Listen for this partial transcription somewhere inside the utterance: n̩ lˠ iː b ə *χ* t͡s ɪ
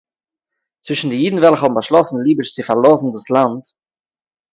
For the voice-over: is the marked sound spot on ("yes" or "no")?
no